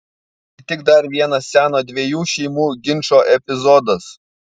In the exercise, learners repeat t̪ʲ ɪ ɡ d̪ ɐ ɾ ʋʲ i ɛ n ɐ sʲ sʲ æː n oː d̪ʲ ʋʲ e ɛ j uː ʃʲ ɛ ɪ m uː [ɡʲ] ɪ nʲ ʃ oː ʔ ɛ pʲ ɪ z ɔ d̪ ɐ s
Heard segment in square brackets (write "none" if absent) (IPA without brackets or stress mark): ɡʲ